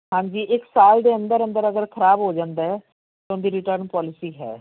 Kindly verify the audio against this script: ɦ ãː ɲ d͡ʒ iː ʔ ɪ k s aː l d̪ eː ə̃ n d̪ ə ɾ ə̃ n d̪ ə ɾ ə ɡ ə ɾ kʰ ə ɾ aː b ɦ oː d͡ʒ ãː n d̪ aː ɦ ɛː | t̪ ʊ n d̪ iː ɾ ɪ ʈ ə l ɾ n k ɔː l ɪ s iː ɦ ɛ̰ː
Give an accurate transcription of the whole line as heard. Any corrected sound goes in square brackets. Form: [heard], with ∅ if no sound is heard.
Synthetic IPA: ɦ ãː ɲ d͡ʒ iː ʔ ɪ k s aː l d̪ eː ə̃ n d̪ ə ɾ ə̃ n d̪ ə ɾ ə ɡ ə ɾ kʰ ə ɾ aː b ɦ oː d͡ʒ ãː n d̪ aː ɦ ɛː | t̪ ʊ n d̪ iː ɾ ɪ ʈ ə [∅] ɾ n [p] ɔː l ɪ s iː ɦ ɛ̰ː